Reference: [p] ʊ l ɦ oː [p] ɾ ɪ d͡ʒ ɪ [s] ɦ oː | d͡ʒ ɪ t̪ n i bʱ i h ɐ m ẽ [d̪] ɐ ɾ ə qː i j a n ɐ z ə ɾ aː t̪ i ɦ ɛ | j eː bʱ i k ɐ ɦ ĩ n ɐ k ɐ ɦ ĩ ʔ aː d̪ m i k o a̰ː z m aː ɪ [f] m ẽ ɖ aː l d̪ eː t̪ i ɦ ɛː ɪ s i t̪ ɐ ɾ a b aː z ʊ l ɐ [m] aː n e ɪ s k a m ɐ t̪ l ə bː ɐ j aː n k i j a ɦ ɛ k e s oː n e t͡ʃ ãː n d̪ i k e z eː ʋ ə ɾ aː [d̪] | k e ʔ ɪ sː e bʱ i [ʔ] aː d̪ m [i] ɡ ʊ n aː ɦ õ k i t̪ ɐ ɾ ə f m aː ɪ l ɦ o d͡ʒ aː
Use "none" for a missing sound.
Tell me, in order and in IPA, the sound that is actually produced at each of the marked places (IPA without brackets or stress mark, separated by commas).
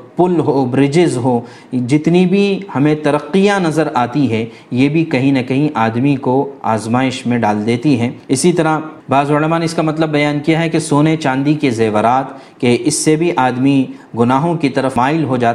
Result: p, b, z, t̪, ʃ, m, t̪, ʔ, i